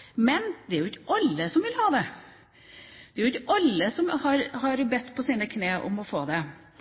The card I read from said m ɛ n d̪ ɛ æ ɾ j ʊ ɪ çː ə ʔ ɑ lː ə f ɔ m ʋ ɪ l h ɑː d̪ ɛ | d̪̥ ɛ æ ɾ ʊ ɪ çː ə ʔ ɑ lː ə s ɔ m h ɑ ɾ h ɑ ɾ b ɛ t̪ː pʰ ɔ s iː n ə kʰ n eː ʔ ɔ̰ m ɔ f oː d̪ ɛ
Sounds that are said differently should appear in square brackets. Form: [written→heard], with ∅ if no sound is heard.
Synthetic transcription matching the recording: m ɛ n d̪ ɛ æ ɾ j ʊ ɪ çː ə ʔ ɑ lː ə [f→s] ɔ m ʋ ɪ l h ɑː d̪ ɛ | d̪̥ ɛ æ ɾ ʊ ɪ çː ə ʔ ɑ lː ə s ɔ m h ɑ ɾ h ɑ ɾ b ɛ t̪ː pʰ ɔ s iː n ə kʰ n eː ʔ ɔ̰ m ɔ f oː d̪ ɛ